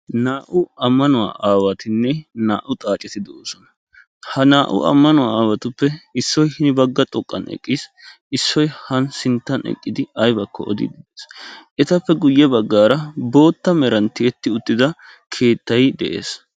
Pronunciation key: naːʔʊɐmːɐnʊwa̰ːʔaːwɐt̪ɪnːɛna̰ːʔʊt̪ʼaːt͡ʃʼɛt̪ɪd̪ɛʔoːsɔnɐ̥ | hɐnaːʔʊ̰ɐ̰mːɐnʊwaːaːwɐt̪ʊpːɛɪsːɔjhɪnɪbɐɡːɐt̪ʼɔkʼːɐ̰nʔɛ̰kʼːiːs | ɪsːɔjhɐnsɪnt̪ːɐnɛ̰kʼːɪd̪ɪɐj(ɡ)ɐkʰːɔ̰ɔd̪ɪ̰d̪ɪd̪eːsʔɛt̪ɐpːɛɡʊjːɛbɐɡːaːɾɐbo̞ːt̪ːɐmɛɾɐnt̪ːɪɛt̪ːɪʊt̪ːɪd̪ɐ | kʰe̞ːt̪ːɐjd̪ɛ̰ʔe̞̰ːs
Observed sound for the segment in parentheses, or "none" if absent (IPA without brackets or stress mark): b